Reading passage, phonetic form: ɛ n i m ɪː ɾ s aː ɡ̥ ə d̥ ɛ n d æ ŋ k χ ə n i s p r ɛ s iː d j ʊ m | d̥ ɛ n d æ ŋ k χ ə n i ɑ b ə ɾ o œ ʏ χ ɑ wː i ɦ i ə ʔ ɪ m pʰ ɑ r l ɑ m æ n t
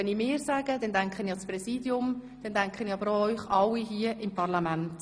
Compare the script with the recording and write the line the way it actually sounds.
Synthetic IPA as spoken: ɛ n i m ɪː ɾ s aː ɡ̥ ə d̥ ɛ n d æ ŋ k χ ə n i s p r ɛ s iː d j ʊ m | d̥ ɛ n d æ ŋ k χ ə n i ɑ b ə ɾ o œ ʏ χ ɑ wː i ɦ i ə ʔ ɪ m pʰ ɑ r l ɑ m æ n t

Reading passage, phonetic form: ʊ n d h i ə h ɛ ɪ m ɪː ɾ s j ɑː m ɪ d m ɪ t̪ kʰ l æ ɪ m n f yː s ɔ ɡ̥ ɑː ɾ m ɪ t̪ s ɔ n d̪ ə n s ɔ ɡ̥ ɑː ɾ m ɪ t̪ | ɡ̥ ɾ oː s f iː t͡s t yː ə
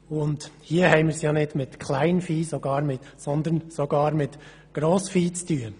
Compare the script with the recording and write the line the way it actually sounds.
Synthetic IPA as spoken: ʊ n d h i ə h ɛ ɪ m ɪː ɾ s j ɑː n ɪ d m ɪ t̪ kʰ l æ ɪ n f iː s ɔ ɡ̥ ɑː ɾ m ɪ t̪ s ɔ n d̪ ə n s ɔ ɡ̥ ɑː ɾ m ɪ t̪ | ɡ̥ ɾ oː s f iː t͡s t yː ə

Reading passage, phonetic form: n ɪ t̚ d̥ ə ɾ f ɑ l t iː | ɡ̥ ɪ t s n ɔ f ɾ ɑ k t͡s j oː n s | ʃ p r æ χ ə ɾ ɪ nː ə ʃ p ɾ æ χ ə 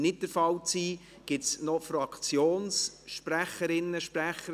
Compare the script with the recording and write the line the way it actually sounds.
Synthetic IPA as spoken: n ɪ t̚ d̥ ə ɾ f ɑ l t͡s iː | ɡ̥ ɪ t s n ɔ f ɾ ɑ k t͡s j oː n s | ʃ p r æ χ ə ɾ ɪ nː ə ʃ p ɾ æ χ ə

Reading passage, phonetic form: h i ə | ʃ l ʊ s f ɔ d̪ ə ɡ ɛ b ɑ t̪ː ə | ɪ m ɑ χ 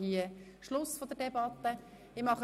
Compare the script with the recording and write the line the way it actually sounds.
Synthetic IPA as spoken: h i ə | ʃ l ʊ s f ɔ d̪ ə d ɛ b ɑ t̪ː ə | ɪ m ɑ χ

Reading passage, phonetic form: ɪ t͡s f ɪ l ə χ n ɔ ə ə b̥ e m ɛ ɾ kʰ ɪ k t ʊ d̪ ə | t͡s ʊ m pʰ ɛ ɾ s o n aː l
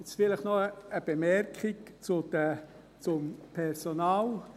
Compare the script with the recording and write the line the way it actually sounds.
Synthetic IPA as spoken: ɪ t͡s f ɪ l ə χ n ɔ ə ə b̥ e m ɛ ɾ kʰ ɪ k t͡s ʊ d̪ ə | t͡s ʊ m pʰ ɛ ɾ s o n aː l

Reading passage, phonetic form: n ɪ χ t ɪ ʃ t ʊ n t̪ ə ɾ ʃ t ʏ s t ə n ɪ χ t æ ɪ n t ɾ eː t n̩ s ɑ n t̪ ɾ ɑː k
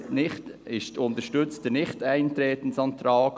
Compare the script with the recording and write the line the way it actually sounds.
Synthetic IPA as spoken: n ɪ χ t ɪ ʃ t ʊ n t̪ ə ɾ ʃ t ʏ t͡s t ə n ɪ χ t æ ɪ n t ɾ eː t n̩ s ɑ n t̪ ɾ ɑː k

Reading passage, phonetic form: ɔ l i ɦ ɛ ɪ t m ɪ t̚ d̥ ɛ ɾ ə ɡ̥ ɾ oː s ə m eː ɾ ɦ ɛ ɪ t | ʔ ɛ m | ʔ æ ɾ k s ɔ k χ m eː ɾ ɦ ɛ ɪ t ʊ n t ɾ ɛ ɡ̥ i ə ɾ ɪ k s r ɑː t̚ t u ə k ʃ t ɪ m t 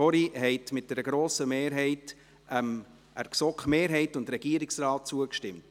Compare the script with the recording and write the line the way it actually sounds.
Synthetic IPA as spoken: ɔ ɾ i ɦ ɛ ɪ t m ɪ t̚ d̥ ɛ ɾ ə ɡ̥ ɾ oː s ə m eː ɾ ɦ ɛ ɪ t | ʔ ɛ m | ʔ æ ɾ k s ɔ k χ m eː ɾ ɦ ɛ ɪ t ʊ n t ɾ ɛ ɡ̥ i ə ɾ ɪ k s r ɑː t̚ t͡s u ə k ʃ t ɪ m t

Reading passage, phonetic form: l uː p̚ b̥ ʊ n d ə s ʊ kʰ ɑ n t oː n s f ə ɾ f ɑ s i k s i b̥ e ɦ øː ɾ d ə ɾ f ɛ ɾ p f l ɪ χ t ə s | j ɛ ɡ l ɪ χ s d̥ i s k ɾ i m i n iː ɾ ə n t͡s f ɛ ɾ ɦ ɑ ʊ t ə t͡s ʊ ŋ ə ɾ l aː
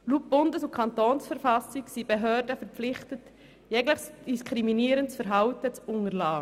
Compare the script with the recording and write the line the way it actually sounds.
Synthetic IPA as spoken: l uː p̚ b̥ ʊ n d ə s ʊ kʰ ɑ n t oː n s f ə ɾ f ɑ s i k s i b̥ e ɦ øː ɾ d ə f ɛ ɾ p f l ɪ χ t ə t | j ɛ ɡ l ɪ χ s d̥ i s k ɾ i m i n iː ɾ ə n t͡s f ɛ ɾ ɦ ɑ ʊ t ə t͡s ʊ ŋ ə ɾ l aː

